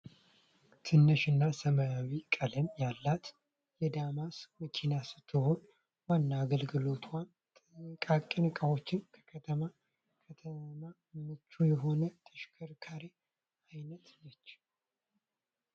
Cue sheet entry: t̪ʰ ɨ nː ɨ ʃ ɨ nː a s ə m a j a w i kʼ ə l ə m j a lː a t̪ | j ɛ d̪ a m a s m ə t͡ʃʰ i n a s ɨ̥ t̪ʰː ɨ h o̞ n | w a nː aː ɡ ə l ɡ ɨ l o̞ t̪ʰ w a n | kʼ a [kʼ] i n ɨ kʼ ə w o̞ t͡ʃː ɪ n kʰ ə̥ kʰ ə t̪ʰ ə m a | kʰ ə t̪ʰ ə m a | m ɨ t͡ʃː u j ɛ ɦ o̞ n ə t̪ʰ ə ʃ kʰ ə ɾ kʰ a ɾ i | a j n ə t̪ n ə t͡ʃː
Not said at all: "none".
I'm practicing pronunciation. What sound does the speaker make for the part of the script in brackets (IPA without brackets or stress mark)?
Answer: kʼ